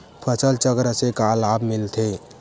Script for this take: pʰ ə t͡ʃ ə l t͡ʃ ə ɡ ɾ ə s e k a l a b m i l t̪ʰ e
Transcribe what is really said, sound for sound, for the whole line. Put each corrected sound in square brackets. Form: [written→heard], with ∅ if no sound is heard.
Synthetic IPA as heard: pʰ ə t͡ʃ ə l t͡ʃ ə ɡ ɾ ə s e k a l a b m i l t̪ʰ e